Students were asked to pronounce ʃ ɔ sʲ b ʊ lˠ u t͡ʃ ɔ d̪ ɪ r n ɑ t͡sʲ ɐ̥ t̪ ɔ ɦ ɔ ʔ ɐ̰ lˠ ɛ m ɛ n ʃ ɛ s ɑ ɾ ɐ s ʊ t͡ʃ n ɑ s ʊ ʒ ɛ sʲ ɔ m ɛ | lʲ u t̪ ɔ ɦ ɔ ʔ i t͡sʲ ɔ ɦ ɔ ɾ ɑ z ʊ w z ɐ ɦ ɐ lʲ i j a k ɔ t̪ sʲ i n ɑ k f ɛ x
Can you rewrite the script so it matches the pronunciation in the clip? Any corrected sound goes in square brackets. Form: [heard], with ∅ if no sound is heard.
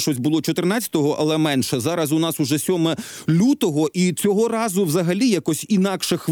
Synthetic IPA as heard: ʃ ɔ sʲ b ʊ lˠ [ɔ] t͡ʃ ɔ [t̪] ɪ r n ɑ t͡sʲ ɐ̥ t̪ ɔ ɦ ɔ ʔ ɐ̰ lˠ ɛ m ɛ n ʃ ɛ [z] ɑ ɾ ɐ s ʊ [∅] n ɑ s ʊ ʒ ɛ sʲ ɔ m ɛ | lʲ u t̪ ɔ ɦ ɔ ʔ i t͡sʲ ɔ ɦ ɔ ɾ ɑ z ʊ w z ɐ ɦ ɐ lʲ i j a k ɔ [∅] sʲ i n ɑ k [ʃ] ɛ x